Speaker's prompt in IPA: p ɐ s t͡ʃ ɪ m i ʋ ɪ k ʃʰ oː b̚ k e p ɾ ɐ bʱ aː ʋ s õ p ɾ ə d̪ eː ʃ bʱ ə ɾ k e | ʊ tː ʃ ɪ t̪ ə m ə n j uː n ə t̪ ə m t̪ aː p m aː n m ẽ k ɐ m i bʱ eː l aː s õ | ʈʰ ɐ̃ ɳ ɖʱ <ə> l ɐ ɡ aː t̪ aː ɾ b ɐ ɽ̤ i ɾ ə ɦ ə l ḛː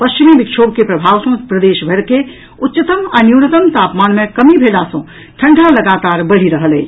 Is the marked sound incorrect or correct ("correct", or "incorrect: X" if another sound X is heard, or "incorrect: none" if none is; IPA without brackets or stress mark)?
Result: incorrect: a